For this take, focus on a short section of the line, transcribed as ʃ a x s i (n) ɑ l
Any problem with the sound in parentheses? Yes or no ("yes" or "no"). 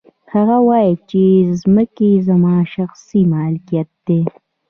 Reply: yes